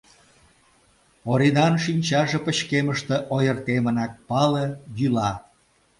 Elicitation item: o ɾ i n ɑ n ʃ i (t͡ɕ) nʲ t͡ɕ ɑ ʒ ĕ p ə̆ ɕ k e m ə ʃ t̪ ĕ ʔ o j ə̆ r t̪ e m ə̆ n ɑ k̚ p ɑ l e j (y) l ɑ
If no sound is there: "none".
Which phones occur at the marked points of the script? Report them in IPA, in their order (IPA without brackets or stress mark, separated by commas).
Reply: none, y